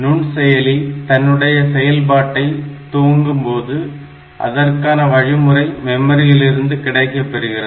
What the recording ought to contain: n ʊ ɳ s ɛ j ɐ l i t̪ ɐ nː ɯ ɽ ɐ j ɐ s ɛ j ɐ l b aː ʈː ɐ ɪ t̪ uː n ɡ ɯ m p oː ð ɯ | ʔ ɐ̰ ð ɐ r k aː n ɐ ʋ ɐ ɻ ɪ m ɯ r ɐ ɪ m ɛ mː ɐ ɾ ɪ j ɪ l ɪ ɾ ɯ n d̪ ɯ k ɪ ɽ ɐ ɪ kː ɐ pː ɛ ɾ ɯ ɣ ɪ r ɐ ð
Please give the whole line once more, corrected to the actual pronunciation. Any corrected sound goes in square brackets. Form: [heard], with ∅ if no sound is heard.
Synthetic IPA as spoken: n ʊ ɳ s ɛ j ɐ l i t̪ ɐ nː ɯ ɽ ɐ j ɐ s ɛ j ɐ l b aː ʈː ɐ ɪ t̪ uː [ŋ] ɡ ɯ m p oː ð ɯ | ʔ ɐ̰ ð ɐ r k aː n ɐ ʋ ɐ ɻ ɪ m ɯ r ɐ ɪ m ɛ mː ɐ ɾ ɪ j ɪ l ɪ ɾ ɯ n d̪ ɯ k ɪ ɽ ɐ ɪ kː ɐ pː ɛ ɾ ɯ ɣ ɪ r ɐ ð